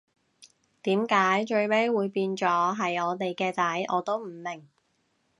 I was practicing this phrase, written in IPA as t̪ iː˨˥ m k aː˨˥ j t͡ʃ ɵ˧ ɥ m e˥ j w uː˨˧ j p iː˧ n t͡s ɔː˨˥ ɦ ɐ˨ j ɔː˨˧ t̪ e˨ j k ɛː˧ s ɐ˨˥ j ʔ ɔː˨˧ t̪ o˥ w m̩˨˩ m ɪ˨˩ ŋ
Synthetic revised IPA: t̪ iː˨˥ m k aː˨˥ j t͡ʃ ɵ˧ ɥ m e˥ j w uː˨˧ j p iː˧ n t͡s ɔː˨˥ ɦ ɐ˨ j ɔː˨˧ t̪ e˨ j k ɛː˧ t͡s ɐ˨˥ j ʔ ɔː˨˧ t̪ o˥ w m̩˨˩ m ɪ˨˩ ŋ